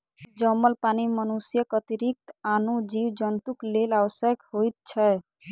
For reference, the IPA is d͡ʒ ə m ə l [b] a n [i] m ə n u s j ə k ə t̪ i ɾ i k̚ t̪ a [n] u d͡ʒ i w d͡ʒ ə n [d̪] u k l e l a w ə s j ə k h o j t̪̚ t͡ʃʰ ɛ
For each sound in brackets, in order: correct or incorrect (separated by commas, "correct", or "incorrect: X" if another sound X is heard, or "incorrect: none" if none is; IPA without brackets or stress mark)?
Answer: incorrect: p, correct, correct, incorrect: t̪